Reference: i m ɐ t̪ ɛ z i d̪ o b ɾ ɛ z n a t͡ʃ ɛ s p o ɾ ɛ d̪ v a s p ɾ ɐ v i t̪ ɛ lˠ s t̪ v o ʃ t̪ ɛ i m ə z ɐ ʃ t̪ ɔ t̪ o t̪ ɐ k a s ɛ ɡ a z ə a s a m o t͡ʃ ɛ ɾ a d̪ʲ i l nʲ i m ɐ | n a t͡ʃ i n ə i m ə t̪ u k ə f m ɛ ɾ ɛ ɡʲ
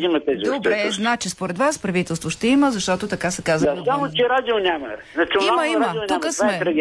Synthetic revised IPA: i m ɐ t̪ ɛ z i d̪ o b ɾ ɛ z n a t͡ʃ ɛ s p o ɾ ɛ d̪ v a s p ɾ ɐ v i t̪ ɛ lˠ s t̪ v o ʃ t̪ ɛ i m ə z ɐ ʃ t̪ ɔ t̪ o t̪ ɐ k a s ɛ k a z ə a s a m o t͡ʃ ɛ ɾ a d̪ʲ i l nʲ a m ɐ | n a t͡ʃ i m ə i m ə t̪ u k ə s m ɛ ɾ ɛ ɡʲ